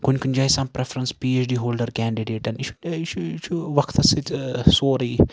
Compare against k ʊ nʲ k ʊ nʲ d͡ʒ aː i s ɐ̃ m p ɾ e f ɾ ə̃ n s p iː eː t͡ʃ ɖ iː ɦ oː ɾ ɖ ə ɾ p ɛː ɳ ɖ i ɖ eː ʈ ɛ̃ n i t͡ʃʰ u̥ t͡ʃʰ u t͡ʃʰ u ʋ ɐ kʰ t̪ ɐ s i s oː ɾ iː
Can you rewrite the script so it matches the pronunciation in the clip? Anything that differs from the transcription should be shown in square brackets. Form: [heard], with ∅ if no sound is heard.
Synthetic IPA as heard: k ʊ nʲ k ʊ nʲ d͡ʒ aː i s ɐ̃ m p ɾ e f ɾ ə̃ n s p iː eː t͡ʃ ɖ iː ɦ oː [l] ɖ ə ɾ [k] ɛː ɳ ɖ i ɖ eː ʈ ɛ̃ n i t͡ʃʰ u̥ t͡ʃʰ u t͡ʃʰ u ʋ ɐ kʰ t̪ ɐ s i s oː ɾ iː